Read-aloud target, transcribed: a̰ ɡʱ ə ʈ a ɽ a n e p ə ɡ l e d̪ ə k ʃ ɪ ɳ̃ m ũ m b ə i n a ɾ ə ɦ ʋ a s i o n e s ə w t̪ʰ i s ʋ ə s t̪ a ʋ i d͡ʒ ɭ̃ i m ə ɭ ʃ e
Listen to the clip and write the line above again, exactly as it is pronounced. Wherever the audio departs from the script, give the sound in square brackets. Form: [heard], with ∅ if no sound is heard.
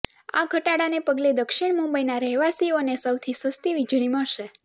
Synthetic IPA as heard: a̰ ɡʱ ə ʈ a ɽ a n e p ə ɡ l e d̪ ə k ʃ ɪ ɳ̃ m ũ m b ə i n a ɾ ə ɦ ʋ a s i o n e s ə w t̪ʰ i s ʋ ə s t̪ [i] ʋ i d͡ʒ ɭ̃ i m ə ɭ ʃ e